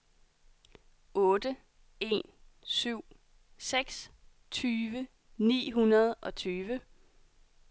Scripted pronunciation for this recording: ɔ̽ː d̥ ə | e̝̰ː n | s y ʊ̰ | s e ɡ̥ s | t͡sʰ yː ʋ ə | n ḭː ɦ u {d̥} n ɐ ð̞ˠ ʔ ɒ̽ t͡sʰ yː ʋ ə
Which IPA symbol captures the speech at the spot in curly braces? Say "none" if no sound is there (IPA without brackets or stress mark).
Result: none